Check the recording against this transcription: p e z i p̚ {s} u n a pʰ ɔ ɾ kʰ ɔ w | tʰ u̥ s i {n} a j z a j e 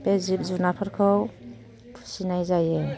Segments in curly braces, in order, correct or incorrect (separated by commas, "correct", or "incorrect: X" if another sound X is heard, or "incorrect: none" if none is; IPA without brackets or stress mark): incorrect: z, correct